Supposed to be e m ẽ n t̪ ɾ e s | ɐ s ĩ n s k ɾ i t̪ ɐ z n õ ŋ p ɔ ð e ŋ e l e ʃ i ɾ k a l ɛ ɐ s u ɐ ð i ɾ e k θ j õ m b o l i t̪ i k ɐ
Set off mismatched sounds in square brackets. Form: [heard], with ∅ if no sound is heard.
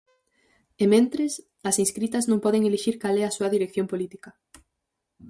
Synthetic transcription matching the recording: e m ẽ n t̪ ɾ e s | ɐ s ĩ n s k ɾ i t̪ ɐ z n õ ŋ p ɔ ð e ŋ e l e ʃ i ɾ k a l ɛ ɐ s u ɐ ð i ɾ e k θ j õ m [p] o l i t̪ i k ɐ